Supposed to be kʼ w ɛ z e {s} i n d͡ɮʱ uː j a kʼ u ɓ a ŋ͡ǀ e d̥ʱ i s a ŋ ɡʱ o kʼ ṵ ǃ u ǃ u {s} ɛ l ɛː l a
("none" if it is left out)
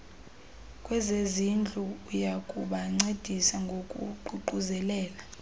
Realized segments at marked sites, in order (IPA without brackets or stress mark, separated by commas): z, z